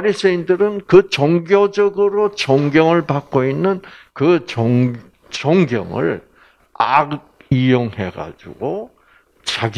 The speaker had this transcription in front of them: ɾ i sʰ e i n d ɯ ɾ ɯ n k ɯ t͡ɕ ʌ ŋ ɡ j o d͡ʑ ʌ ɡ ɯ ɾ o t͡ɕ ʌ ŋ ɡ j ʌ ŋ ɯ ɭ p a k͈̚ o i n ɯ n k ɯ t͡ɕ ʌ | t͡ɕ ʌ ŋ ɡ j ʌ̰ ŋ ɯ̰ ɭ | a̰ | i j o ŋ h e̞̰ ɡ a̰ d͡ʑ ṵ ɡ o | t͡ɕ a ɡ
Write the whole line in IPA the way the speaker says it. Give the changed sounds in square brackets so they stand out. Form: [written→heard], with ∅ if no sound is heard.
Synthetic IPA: ɾ i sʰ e i n d ɯ ɾ ɯ n k ɯ t͡ɕ ʌ ŋ ɡ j o d͡ʑ ʌ ɡ ɯ ɾ o t͡ɕ ʌ ŋ ɡ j ʌ ŋ ɯ ɭ p a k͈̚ o i [n→nː] ɯ n k ɯ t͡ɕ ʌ | t͡ɕ ʌ ŋ ɡ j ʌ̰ ŋ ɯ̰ ɭ | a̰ | i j o ŋ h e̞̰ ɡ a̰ d͡ʑ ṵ ɡ o | t͡ɕ a ɡ

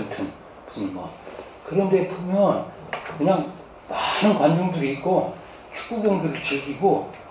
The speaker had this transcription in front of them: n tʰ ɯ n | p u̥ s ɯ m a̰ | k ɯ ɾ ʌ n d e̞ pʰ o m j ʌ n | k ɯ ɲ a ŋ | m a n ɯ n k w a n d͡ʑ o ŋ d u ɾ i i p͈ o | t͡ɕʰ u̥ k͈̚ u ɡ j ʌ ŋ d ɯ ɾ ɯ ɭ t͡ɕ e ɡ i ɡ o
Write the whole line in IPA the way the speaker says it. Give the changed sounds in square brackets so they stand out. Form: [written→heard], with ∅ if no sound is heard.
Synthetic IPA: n tʰ ɯ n | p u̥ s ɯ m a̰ | k ɯ ɾ ʌ n d e̞ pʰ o m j ʌ n | k ɯ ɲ a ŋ | m a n ɯ n k w a n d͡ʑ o ŋ d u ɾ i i [p͈→k͈] o | t͡ɕʰ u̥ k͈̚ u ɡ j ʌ ŋ d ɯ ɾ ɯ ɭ t͡ɕ e ɡ i ɡ o

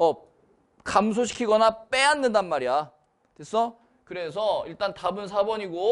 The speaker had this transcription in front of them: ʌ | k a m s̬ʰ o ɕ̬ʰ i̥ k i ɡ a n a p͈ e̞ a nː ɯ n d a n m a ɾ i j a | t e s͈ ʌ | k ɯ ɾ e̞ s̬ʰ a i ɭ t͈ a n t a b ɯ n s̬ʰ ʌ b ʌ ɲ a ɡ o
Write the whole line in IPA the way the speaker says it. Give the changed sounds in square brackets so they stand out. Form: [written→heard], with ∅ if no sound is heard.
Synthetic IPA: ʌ | k a m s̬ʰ o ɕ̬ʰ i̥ [k→kʰ] i ɡ [a→ʌ] n a p͈ e̞ a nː ɯ n d a n m a ɾ i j a | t e s͈ ʌ | k ɯ ɾ e̞ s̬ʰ [a→ʌ] i ɭ t͈ a n t a b ɯ n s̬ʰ [ʌ→a] b ʌ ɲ [a→i] ɡ o

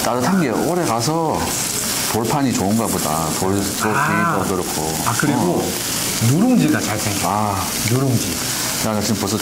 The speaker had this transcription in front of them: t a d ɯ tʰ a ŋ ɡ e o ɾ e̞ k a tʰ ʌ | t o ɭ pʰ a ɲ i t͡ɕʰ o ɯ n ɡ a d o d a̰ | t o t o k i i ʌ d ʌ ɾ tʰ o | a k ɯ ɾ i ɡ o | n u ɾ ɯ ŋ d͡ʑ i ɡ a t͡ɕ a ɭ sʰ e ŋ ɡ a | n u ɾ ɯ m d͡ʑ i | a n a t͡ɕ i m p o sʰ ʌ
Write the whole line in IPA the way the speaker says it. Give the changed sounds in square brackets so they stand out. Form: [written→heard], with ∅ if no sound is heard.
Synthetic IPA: t a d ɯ tʰ a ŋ ɡ e o ɾ e̞ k a [tʰ→sʰ] ʌ | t o ɭ pʰ a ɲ i [t͡ɕʰ→t͡ɕ] o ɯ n ɡ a [d→b] o d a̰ | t o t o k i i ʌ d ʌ ɾ [tʰ→kʰ] o | a k ɯ ɾ i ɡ o | n u ɾ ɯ ŋ d͡ʑ i ɡ a t͡ɕ a ɭ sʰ e ŋ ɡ a | n u ɾ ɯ [m→ŋ] d͡ʑ i | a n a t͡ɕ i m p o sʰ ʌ

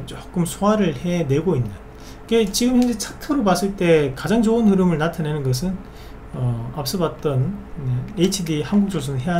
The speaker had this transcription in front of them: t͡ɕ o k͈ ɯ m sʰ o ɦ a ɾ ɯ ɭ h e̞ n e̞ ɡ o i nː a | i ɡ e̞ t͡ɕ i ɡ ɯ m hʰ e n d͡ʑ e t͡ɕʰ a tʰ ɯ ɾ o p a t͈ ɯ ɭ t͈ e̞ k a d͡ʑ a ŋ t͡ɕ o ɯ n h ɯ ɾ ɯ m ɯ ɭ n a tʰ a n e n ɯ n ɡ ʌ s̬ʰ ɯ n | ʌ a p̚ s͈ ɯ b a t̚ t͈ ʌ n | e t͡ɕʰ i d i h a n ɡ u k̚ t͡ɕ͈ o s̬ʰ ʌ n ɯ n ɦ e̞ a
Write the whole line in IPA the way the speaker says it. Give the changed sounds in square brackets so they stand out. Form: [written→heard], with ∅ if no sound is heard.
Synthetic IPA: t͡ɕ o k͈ ɯ m sʰ o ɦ a ɾ ɯ ɭ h e̞ n e̞ ɡ o i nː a | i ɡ e̞ t͡ɕ i ɡ ɯ m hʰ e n d͡ʑ e t͡ɕʰ a tʰ ɯ ɾ o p a [t͈→s͈] ɯ ɭ t͈ e̞ k a d͡ʑ a ŋ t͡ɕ o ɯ n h ɯ ɾ ɯ m ɯ ɭ n a tʰ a n e n ɯ n ɡ ʌ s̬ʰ ɯ n | ʌ a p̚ s͈ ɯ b a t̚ t͈ ʌ n | e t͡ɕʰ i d i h a n ɡ u k̚ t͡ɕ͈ o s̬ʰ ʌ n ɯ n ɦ e̞ a

